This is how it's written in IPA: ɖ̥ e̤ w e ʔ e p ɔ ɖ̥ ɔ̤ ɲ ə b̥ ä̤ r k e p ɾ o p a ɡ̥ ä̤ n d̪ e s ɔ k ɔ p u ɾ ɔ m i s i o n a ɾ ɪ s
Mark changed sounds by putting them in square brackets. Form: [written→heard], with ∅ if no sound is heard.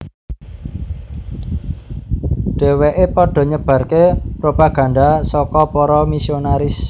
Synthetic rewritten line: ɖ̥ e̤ w e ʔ e p ɔ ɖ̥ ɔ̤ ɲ ə b̥ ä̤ r k e p ɾ o p a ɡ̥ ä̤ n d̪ [e→a] s ɔ k ɔ p [u→ɔ] ɾ ɔ m i s i o n a ɾ ɪ s